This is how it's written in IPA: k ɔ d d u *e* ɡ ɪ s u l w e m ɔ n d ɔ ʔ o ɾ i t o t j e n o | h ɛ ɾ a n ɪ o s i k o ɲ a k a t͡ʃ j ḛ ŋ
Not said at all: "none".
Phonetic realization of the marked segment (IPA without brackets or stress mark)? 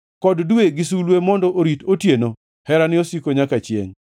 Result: e